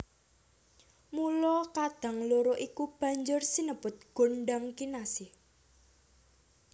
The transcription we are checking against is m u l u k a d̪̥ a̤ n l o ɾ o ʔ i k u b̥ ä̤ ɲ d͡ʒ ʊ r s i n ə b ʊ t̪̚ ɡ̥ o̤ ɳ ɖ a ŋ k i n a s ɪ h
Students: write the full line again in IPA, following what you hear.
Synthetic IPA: m u l ɔ k a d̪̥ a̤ ŋ l o ɾ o ʔ i k u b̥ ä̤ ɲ d͡ʒ ʊ r s i n ə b ʊ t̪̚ ɡ̥ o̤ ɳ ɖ a ŋ k i n a s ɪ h